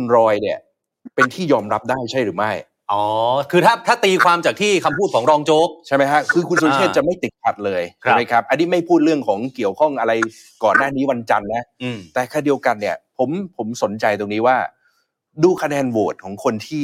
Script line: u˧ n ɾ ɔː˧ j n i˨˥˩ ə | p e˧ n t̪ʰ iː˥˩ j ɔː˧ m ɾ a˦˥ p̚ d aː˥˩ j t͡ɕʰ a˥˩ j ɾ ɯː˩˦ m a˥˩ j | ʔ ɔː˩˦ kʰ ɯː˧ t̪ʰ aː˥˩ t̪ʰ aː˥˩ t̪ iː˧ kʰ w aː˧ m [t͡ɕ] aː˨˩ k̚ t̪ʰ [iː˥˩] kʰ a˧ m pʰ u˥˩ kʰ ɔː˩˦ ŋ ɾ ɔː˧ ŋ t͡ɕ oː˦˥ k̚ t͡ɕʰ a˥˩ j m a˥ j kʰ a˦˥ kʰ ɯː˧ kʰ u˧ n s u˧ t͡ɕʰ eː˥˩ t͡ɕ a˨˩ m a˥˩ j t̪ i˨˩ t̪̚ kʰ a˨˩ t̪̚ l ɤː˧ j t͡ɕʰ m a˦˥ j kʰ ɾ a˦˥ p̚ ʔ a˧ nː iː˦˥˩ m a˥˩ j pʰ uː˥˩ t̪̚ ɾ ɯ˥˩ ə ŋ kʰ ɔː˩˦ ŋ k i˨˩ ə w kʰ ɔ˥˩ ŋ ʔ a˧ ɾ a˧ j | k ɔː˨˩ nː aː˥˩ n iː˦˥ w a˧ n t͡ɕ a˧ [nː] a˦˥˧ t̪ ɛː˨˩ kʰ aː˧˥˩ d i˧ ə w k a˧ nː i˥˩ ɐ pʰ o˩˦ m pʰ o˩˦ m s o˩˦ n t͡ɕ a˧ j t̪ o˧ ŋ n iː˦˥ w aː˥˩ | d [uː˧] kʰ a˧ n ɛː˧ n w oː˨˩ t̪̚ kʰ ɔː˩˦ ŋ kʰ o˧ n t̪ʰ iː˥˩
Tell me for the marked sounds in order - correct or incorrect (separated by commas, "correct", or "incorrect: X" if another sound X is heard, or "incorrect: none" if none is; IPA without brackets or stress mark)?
correct, correct, correct, correct